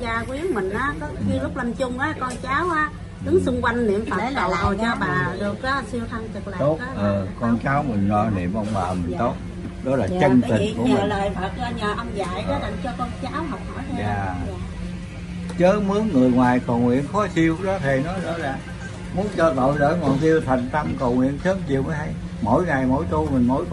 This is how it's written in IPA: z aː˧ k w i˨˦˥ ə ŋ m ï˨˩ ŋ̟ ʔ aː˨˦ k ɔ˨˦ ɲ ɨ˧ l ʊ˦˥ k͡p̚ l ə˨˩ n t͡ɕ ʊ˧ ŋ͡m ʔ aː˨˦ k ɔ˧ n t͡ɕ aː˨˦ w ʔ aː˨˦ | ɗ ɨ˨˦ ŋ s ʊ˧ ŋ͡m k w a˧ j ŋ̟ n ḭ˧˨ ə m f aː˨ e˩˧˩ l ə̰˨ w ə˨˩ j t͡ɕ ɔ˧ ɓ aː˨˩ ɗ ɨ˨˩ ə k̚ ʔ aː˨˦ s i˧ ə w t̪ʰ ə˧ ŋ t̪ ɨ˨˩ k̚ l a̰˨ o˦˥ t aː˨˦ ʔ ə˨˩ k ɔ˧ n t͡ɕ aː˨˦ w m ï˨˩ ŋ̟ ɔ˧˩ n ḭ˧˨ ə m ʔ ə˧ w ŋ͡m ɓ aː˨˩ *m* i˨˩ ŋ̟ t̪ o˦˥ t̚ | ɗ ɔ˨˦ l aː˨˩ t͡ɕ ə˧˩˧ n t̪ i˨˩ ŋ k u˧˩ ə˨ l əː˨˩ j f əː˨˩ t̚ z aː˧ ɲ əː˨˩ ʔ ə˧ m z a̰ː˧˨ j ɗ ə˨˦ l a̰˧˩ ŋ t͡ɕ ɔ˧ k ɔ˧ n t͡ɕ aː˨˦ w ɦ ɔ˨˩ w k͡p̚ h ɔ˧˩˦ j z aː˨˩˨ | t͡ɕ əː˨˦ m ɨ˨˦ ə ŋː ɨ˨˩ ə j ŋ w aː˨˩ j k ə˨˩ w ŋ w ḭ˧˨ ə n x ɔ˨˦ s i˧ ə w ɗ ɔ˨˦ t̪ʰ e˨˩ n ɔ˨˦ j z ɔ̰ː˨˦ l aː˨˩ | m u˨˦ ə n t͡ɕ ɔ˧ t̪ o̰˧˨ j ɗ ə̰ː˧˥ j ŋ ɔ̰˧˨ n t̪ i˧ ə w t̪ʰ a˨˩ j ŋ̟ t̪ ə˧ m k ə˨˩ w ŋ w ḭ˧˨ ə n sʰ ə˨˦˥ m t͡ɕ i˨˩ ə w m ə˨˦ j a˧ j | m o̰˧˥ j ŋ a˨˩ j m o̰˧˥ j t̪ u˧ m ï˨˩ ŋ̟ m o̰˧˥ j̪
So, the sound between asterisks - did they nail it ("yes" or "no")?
yes